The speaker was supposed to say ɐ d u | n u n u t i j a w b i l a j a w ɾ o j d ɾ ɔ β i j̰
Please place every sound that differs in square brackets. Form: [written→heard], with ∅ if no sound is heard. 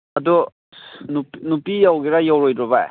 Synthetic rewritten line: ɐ d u | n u n u [t→p] i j a w [b→ɡ] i [l→ɾ] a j a w ɾ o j d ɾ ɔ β [i→a] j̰